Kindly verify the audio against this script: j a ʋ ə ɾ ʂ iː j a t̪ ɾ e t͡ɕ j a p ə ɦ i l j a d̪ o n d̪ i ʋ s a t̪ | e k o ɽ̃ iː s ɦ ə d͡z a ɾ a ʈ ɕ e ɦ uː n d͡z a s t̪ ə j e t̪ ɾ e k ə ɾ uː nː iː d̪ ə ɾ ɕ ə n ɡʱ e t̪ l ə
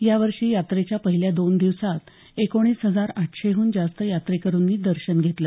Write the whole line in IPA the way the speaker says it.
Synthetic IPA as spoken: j a ʋ ə ɾ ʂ iː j a t̪ ɾ e t͡ɕ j a p ə ɦ i l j a d̪ o n d̪ i ʋ s a t̪ | e k o ɽ̃ iː s ɦ ə d͡z a ɾ a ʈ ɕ e ɦ uː n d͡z a s t̪ ə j a t̪ ɾ e k ə ɾ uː nː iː d̪ ə ɾ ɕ ə n ɡʱ e t̪ l ə